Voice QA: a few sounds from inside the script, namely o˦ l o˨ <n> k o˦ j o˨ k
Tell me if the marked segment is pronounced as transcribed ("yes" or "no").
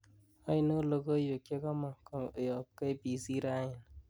no